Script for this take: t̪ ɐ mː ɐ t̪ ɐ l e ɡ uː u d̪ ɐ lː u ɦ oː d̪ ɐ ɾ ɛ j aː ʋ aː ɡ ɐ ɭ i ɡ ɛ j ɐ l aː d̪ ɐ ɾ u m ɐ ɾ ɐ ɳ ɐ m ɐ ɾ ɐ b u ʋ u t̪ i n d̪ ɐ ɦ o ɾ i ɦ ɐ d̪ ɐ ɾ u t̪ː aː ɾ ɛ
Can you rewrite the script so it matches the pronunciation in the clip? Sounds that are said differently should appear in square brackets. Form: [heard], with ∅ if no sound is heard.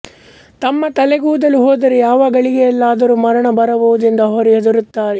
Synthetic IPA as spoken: t̪ ɐ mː ɐ t̪ ɐ l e ɡ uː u d̪ ɐ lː u ɦ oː d̪ ɐ ɾ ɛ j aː ʋ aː ɡ ɐ ɭ i ɡ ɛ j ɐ [lː] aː d̪ ɐ ɾ u m ɐ ɾ ɐ ɳ ɐ [b] ɐ ɾ ɐ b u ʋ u [d̪] i n d̪ ɐ ɦ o ɾ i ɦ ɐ d̪ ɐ ɾ u t̪ː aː ɾ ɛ